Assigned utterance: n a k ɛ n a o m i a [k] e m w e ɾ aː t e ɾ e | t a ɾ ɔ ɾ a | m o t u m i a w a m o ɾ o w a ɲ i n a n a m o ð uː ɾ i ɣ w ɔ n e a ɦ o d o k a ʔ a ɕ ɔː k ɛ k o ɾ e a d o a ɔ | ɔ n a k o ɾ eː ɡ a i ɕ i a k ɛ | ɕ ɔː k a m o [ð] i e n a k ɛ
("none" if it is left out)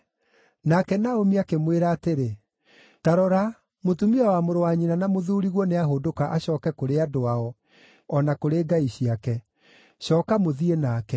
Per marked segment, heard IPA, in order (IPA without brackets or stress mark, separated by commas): k, ð